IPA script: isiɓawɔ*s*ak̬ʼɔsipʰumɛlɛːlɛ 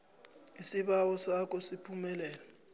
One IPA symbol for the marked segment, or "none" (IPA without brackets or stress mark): s